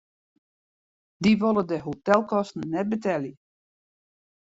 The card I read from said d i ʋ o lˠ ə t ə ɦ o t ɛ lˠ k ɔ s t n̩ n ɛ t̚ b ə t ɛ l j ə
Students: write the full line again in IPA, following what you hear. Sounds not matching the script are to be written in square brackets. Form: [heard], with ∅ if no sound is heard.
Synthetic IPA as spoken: d i ʋ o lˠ ə [d] ə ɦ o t ɛ lˠ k ɔ s t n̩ n ɛ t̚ b ə t ɛ l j ə